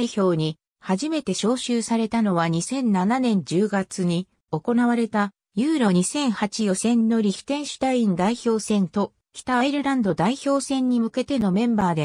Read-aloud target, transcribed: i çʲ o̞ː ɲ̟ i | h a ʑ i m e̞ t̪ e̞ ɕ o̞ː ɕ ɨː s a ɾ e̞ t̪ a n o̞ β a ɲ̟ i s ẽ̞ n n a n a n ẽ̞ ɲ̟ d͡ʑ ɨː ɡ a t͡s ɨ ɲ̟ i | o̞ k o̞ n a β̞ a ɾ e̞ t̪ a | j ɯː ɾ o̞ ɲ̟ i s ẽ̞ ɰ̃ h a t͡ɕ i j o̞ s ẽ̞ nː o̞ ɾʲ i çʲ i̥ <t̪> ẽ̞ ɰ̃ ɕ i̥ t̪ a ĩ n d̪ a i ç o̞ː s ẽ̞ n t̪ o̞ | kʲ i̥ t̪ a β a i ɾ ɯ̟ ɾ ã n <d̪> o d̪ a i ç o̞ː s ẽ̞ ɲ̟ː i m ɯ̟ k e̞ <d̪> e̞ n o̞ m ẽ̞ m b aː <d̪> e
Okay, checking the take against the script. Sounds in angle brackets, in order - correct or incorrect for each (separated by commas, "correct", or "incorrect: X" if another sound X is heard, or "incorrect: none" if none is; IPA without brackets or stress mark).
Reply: correct, correct, incorrect: t̪, correct